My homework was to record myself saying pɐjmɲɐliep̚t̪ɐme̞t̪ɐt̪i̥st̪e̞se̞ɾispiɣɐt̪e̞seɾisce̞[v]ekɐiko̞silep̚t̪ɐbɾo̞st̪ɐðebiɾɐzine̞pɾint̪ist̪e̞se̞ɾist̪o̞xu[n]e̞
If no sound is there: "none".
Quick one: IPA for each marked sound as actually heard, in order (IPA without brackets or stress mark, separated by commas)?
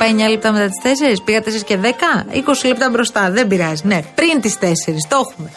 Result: ð, m